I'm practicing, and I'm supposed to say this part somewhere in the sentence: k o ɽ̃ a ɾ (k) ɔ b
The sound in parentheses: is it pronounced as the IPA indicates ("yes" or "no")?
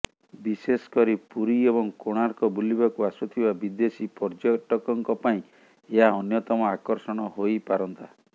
yes